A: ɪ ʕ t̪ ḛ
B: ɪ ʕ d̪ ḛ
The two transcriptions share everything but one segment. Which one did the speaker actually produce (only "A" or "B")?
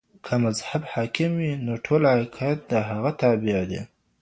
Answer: B